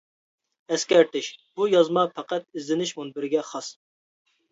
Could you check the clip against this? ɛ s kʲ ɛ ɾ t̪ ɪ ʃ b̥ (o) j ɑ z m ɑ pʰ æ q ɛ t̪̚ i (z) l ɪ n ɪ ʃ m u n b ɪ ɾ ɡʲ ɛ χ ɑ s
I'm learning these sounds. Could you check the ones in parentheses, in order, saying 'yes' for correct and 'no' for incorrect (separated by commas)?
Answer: no, yes